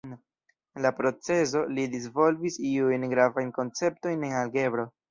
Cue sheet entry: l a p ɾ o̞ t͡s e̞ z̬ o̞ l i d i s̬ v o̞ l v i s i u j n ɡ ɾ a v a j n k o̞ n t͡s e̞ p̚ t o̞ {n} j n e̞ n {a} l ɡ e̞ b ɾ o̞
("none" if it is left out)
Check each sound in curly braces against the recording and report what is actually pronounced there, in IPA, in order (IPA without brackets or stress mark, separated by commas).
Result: none, a